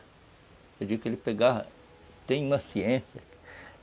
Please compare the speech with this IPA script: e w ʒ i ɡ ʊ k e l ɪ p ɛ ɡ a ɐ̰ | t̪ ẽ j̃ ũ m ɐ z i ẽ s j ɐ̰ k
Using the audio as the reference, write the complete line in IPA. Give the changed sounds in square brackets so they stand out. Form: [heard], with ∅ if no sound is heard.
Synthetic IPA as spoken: e w [d͡ʒ] i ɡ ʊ k e l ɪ p [e] ɡ a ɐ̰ | t̪ ẽ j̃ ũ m ɐ [s] i ẽ s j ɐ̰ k